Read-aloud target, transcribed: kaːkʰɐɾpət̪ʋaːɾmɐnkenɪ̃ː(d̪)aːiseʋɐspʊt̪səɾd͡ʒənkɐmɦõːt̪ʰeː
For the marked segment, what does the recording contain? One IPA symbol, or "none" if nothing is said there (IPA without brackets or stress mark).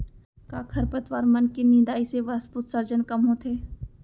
d̪